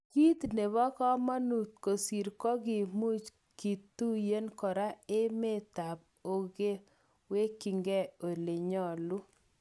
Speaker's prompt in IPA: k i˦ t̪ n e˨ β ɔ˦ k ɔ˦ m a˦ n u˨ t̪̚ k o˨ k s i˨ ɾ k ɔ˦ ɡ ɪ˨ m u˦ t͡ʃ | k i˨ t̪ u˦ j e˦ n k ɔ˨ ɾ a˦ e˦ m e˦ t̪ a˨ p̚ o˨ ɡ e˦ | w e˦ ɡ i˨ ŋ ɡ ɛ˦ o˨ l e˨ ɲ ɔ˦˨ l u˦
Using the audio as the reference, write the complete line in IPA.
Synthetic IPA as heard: k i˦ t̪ n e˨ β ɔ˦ k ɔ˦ m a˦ n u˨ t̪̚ k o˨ s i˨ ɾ k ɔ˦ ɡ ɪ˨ m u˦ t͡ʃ | k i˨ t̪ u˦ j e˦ n k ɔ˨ ɾ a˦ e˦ m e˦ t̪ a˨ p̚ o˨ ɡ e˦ | w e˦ k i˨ ŋ ɡ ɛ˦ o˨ l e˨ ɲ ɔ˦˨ l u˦